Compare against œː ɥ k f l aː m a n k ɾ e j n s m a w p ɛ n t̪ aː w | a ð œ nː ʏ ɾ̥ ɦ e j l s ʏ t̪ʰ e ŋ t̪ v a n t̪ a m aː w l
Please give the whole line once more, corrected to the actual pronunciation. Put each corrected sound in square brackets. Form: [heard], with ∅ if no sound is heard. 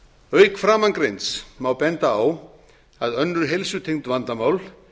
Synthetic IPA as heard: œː ɥ k f [ɾ] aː m a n k ɾ e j n s m a w p ɛ n t̪ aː w | a ð œ nː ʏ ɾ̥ ɦ e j l s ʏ t̪ʰ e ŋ t̪ v a n t̪ a m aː w l